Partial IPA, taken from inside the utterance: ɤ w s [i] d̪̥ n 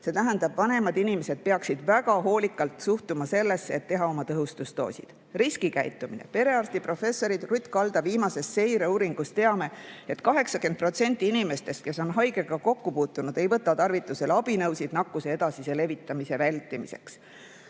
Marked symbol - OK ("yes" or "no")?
yes